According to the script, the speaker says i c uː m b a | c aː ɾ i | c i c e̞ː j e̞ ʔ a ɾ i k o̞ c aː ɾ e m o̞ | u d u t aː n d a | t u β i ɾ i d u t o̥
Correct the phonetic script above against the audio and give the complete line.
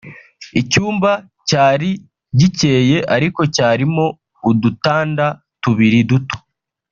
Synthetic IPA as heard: i c uː m b a | c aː ɾ i | ɟ i c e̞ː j e̞ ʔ a ɾ i k o̞ c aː ɾ i m o̞ | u d u t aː n d a | t u β i ɾ i d u t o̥